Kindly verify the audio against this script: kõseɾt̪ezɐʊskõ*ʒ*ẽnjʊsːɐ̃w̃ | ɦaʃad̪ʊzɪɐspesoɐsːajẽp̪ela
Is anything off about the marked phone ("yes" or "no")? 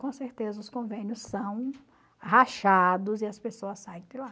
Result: yes